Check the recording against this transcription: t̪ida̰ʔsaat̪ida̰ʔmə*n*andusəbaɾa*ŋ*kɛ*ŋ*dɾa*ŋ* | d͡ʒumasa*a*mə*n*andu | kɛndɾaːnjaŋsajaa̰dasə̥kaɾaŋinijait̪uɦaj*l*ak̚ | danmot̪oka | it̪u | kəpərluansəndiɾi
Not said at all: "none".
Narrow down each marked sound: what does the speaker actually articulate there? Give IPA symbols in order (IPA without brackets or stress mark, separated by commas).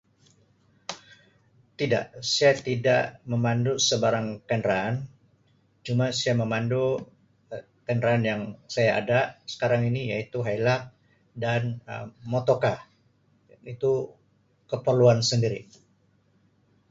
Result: m, ŋ, n, n, a, m, l